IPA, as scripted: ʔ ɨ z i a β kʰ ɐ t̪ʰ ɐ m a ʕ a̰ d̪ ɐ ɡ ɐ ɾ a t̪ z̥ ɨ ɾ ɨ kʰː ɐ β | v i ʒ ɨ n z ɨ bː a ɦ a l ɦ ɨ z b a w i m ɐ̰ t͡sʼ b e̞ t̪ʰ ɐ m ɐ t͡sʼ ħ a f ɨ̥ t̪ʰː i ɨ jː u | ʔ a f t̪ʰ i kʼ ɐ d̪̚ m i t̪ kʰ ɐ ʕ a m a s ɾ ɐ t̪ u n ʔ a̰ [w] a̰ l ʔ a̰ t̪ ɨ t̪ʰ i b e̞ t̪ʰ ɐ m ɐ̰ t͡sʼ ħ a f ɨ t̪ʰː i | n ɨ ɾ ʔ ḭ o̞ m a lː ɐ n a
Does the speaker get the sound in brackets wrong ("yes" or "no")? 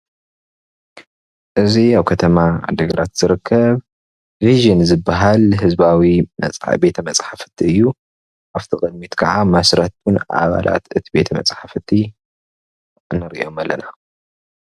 yes